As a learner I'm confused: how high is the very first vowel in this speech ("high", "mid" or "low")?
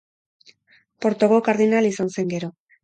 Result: mid